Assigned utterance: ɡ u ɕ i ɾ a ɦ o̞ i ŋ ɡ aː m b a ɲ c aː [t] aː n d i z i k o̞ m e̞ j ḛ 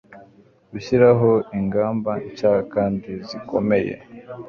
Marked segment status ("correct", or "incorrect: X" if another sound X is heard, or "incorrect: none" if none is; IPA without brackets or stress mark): incorrect: k